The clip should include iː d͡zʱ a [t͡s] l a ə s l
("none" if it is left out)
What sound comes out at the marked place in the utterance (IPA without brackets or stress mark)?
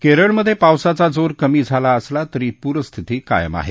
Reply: none